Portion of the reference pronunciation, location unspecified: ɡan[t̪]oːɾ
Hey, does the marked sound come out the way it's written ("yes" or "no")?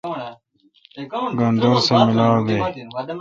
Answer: no